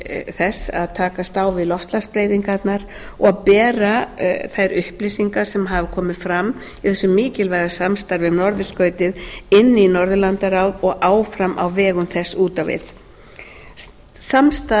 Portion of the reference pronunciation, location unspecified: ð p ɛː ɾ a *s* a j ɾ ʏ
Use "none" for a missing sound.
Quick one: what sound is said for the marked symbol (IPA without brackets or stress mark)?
θ